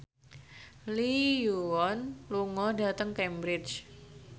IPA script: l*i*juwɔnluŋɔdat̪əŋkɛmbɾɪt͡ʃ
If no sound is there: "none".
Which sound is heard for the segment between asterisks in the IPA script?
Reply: i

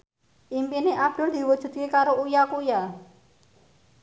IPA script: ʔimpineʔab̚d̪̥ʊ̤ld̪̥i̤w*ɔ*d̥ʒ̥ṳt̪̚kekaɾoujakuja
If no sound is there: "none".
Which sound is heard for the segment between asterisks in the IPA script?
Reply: u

